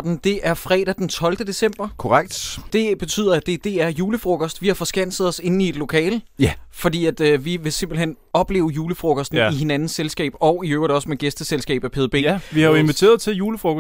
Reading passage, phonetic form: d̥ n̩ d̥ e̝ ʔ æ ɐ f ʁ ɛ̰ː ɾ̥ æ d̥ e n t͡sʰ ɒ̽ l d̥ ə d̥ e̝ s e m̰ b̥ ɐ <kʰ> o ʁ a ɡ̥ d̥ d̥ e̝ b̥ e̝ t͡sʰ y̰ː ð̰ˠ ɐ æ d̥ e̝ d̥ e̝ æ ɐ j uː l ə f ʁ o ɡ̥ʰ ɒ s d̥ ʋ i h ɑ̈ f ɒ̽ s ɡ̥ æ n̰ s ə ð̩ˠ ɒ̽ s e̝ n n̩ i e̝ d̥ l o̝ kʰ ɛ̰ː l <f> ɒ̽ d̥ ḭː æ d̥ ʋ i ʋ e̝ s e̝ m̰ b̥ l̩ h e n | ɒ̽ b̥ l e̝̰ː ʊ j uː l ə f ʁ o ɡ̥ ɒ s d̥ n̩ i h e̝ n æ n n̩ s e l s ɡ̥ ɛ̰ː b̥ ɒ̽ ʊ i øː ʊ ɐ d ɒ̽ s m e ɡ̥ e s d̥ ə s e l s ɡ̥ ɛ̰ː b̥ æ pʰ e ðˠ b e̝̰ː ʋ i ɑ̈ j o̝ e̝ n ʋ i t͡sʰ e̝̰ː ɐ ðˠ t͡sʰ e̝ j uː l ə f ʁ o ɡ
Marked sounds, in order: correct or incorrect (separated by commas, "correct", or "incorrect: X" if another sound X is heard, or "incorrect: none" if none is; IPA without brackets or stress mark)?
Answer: correct, correct